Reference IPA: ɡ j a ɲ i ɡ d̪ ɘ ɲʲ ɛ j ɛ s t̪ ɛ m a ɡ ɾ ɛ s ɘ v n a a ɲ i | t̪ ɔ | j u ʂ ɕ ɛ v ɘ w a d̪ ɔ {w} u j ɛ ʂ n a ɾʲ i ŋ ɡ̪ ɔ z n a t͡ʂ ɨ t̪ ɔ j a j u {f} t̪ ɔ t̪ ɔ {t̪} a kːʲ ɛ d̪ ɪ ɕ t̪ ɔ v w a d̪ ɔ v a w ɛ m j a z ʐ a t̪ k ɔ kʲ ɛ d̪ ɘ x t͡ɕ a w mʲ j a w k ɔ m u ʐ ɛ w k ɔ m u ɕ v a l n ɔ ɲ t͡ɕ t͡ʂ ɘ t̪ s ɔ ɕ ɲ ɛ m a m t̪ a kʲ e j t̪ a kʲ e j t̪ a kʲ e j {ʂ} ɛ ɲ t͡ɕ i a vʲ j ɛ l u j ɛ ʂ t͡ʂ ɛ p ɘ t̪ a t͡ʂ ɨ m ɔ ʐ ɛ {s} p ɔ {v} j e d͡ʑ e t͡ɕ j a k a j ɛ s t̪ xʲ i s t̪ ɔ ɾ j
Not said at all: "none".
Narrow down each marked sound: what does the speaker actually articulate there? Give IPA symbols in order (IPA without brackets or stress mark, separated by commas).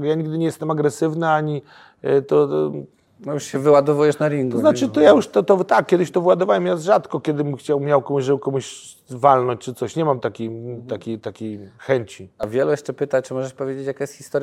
v, ʂ, t̪, x, ʂ, v